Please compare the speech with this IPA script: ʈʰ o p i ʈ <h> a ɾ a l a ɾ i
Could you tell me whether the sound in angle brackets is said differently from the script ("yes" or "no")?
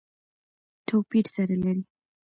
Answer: yes